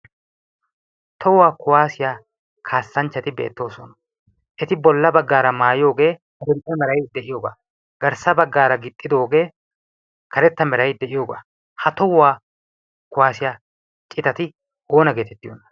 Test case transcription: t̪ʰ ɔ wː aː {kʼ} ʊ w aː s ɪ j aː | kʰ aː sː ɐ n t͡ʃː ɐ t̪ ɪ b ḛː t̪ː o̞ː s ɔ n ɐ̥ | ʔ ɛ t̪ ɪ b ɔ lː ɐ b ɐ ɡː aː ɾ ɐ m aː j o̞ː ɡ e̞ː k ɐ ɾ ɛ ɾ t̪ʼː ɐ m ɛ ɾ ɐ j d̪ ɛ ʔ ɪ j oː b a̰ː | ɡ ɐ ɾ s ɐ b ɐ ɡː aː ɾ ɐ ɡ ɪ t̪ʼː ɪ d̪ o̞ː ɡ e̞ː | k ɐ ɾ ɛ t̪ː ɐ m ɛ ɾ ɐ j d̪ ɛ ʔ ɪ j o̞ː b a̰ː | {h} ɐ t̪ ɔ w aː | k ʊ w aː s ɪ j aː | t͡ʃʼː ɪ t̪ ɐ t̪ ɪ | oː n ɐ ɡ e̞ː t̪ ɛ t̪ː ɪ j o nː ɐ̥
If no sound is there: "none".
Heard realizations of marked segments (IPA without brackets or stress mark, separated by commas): k, h